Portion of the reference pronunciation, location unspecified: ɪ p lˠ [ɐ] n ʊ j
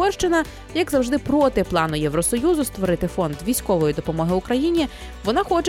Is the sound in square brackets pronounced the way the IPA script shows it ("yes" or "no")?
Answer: no